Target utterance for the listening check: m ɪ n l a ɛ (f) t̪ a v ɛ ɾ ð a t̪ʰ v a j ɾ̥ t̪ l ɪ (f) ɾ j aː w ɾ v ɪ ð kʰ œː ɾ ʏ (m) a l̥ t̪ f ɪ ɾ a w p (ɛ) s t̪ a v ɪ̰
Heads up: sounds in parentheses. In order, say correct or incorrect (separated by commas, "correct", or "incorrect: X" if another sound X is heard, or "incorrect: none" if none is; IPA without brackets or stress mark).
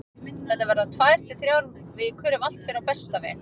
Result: incorrect: none, incorrect: θ, correct, correct